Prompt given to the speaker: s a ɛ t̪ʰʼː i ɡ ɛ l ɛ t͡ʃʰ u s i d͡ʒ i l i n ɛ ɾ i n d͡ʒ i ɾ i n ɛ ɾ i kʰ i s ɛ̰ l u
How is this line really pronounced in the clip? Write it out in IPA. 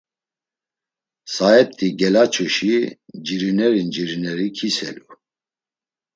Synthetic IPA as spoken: s a ɛ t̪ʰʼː i ɡ ɛ l a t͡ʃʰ u ʃ i d͡ʒ i ɾ i n ɛ ɾ i n d͡ʒ i ɾ i n ɛ ɾ i kʰ i s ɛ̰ l u